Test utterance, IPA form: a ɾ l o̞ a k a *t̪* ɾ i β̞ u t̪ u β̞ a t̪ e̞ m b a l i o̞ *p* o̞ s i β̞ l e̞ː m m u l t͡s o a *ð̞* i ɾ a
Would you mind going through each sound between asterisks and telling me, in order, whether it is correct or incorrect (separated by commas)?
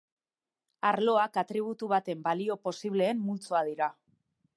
correct, correct, correct